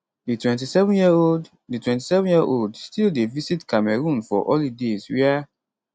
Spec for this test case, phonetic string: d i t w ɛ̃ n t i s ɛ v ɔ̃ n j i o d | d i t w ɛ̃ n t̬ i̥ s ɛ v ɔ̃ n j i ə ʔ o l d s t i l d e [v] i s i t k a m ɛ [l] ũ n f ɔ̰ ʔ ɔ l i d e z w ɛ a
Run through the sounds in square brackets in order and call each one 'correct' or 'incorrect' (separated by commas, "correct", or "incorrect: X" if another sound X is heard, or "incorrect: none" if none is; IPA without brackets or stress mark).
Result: correct, incorrect: ɹ